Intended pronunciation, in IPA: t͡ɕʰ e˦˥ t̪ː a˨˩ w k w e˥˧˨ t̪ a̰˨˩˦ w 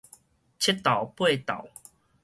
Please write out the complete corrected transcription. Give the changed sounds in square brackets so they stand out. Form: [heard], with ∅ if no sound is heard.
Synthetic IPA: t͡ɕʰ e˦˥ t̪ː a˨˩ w [p] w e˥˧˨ t̪ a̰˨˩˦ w